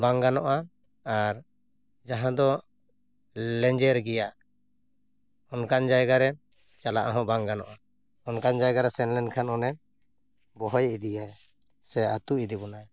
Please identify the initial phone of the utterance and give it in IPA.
b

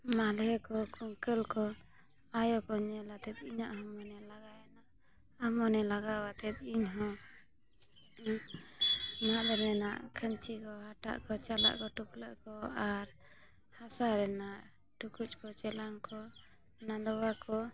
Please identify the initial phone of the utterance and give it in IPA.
m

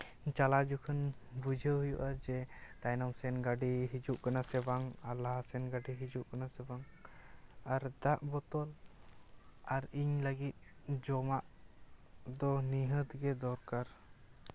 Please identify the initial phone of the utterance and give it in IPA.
t͡ʃ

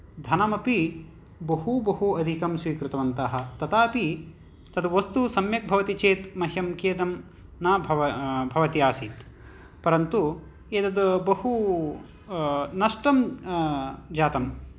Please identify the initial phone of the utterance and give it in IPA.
d̪ʱ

